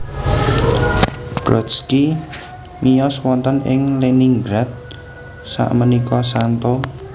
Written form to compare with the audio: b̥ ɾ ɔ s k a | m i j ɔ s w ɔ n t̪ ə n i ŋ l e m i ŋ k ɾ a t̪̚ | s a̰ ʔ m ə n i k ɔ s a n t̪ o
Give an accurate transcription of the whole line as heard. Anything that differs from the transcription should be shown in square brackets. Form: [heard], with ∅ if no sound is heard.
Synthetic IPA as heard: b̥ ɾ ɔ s k [i] | m i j ɔ s w ɔ n t̪ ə n [ɪ] ŋ l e [n] i ŋ [ɡ] ɾ a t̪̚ | s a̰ ʔ m ə n i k ɔ s a n t̪ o